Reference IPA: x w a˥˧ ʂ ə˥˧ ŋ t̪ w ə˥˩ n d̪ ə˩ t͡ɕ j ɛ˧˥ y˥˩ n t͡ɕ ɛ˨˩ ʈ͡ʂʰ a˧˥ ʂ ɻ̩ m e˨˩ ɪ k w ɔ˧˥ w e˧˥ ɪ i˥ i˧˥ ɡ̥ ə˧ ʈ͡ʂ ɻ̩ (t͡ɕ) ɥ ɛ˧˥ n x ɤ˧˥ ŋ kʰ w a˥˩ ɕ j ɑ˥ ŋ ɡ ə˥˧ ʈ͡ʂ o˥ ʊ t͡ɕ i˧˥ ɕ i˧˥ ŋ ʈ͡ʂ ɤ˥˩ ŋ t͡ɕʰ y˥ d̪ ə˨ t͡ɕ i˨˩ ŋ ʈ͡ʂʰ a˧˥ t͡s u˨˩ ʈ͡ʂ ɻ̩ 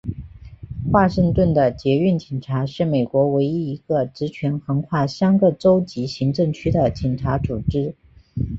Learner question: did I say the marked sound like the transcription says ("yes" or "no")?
no